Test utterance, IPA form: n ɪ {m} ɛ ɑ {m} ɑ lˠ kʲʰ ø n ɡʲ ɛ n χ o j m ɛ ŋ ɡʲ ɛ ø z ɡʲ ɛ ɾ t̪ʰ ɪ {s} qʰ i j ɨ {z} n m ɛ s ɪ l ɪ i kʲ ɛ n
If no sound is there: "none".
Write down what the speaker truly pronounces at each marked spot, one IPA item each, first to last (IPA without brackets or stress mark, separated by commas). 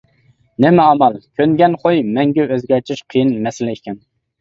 m, m, ʃ, none